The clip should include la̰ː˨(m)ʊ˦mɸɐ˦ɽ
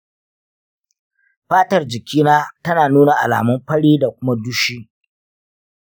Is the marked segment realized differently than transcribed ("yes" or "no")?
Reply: no